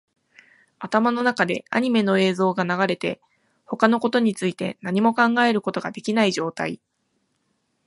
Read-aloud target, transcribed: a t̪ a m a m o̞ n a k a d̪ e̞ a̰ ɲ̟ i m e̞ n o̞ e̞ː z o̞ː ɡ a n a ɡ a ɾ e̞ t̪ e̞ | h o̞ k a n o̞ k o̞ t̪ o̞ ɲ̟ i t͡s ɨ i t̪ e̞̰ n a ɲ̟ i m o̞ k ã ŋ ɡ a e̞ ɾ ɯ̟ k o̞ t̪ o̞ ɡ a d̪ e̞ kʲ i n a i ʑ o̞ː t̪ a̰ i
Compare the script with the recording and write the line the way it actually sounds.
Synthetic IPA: a t̪ a m a n o̞ n a k a d̪ e̞ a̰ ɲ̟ i m e̞ n o̞ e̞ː z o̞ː ɡ a n a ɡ a ɾ e̞ t̪ e̞ | h o̞ k a n o̞ k o̞ t̪ o̞ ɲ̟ i t͡s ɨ i t̪ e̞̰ n a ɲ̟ i m o̞ k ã ŋ ɡ a e̞ ɾ ɯ̟ k o̞ t̪ o̞ ɡ a d̪ e̞ kʲ i n a i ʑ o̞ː t̪ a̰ i